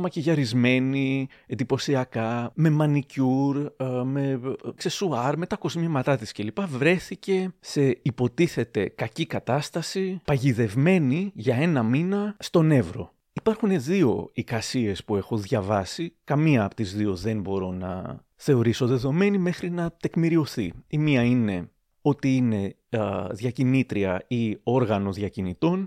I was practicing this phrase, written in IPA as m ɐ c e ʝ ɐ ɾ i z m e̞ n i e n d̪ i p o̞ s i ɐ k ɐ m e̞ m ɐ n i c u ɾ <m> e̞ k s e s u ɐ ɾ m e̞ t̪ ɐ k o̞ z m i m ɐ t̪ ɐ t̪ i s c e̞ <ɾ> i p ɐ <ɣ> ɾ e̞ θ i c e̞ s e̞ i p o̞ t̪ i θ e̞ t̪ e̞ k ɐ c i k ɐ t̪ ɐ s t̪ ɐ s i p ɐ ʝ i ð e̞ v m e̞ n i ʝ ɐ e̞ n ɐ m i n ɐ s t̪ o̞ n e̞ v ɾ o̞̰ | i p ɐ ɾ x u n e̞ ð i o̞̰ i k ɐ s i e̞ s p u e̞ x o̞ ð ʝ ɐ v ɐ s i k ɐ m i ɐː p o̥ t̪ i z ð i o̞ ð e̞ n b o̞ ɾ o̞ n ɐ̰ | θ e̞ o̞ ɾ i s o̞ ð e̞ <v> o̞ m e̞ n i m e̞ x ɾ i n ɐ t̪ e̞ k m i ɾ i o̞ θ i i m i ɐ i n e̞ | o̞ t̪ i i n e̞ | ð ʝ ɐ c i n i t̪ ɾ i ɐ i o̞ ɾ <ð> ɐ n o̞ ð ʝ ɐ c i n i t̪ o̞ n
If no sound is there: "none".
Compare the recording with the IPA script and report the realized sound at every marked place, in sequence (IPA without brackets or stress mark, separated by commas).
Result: m, l, v, ð, ɣ